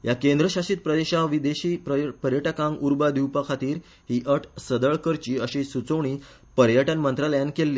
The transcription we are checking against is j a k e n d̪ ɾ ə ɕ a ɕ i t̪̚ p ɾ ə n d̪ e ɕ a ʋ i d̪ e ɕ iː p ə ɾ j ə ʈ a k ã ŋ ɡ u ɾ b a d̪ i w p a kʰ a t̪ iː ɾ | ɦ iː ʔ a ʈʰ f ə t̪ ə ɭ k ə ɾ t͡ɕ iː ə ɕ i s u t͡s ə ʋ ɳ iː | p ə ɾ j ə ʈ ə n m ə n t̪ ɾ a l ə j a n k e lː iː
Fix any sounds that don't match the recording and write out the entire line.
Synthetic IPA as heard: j a k e n d̪ ɾ ə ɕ a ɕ i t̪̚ p ɾ ə d̪ e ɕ a ʋ i d̪ e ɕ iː p ə ɾ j ə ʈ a k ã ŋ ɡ u ɾ b a d̪ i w p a kʰ a t̪ iː ɾ | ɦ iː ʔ ə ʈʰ s ə d̪ ə ɭ k ə ɾ t͡ɕ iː ə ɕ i s u t͡s ə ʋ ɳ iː | p ə ɾ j ə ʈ ə n m ə n t̪ ɾ a l ə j a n k e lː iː